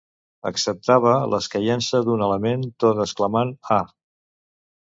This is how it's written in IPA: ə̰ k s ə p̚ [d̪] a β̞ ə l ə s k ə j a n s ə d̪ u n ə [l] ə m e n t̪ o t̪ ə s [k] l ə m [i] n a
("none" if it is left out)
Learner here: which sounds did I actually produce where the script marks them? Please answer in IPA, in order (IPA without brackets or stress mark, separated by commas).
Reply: t̪, l, k, a